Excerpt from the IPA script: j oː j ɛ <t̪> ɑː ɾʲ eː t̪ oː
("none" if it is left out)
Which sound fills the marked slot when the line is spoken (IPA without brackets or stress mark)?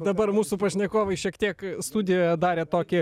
d̪